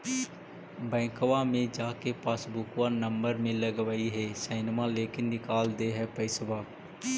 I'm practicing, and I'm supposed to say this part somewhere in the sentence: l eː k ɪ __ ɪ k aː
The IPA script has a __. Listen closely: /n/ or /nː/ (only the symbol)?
nː